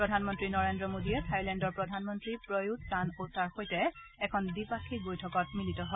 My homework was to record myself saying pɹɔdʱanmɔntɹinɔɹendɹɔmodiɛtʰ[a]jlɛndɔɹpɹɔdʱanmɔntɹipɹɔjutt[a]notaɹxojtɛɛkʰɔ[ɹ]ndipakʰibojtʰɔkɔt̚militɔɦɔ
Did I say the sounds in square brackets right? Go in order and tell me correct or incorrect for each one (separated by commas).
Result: correct, correct, incorrect